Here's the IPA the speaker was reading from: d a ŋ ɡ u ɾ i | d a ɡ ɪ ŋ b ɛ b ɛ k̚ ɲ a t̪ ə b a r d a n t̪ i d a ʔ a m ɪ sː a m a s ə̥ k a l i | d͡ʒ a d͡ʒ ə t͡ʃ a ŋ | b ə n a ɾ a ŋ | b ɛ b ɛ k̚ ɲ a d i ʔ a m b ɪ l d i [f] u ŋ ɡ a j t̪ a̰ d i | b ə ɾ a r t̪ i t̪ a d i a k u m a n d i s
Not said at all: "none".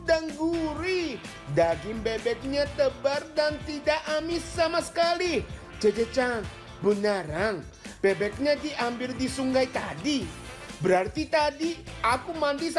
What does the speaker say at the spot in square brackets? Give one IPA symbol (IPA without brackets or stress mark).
s